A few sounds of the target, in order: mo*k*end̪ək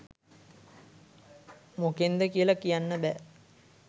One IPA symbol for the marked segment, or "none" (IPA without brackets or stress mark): k